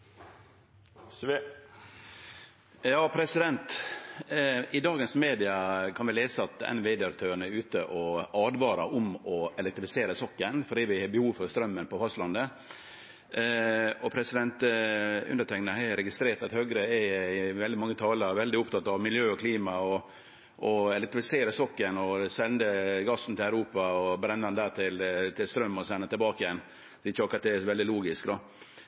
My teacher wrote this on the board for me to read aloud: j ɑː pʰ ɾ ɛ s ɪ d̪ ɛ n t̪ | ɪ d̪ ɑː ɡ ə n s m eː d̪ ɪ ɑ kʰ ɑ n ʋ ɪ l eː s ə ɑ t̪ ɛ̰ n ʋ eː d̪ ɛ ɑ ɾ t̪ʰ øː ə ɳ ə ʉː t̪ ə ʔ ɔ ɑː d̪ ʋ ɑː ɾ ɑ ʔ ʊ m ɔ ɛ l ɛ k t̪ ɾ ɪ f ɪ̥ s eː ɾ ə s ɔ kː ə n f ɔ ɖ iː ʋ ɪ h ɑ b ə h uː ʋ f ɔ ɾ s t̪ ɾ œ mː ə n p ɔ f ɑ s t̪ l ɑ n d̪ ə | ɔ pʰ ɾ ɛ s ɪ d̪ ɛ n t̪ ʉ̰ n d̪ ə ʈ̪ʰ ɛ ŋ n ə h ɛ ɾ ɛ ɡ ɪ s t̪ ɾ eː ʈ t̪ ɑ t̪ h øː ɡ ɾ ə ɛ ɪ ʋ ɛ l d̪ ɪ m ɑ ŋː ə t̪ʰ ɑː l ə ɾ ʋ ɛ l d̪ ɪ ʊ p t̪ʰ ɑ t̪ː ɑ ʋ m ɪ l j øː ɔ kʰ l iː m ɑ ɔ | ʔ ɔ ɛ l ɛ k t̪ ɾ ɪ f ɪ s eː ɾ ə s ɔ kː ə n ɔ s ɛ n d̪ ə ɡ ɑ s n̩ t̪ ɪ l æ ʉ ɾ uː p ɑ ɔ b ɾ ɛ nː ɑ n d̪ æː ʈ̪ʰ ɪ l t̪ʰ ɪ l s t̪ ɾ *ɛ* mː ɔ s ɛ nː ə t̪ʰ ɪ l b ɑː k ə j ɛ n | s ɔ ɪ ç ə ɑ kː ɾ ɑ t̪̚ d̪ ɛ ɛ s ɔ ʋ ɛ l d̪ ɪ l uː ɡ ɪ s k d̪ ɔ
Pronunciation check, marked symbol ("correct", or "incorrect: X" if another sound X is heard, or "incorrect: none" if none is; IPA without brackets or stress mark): incorrect: œ